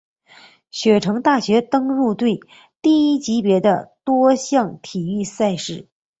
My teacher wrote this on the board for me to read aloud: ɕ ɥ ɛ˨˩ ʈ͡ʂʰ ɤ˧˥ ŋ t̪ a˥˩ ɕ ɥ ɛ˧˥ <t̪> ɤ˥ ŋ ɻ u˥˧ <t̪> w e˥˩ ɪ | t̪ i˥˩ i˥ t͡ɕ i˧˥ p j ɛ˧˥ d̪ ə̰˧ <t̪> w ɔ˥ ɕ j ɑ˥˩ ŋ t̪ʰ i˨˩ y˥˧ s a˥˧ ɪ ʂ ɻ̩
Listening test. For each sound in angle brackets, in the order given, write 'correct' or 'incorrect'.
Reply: correct, correct, correct

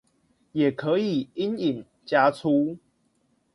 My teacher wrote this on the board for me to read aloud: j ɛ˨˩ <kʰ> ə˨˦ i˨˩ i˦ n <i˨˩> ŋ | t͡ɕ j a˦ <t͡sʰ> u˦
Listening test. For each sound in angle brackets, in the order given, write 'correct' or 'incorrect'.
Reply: correct, correct, correct

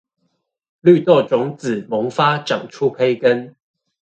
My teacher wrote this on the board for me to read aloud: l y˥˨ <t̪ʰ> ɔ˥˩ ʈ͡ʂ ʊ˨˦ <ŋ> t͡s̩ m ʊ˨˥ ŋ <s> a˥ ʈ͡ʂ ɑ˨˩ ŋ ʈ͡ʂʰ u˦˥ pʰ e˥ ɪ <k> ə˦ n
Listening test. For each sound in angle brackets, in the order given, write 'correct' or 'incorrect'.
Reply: incorrect: t̪, correct, incorrect: f, correct

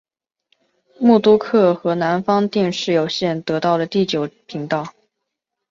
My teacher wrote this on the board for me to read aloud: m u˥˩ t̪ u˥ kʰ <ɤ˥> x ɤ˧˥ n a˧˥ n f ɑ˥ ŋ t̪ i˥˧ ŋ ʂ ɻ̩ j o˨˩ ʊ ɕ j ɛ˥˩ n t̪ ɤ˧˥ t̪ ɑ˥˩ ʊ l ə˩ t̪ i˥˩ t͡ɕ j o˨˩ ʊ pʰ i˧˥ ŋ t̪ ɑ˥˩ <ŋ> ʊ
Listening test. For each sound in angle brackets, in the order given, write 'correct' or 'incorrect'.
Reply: incorrect: ɤ˥˩, incorrect: none

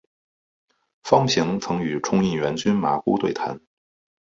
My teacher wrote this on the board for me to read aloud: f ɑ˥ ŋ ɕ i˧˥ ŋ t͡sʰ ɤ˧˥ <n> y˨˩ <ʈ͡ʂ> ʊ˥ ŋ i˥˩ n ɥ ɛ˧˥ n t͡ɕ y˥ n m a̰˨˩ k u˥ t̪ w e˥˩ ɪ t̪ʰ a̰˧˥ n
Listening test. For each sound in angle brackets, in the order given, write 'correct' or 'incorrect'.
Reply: incorrect: ŋ, incorrect: ʈ͡ʂʰ

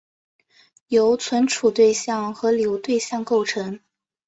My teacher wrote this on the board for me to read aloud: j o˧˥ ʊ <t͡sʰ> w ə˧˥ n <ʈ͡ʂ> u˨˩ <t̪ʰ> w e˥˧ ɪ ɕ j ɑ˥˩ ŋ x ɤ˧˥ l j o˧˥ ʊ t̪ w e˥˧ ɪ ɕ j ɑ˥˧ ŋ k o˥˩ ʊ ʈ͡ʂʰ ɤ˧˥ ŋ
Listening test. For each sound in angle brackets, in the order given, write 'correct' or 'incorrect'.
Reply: correct, incorrect: ʈ͡ʂʰ, incorrect: t̪

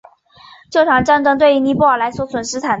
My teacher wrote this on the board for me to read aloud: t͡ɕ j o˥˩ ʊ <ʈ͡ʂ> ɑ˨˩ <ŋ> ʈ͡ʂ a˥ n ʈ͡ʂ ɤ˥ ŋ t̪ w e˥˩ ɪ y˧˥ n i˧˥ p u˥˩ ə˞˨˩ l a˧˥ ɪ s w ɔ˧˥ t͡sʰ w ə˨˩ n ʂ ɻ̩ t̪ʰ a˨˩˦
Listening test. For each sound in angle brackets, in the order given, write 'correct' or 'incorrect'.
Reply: incorrect: ʈ͡ʂʰ, correct

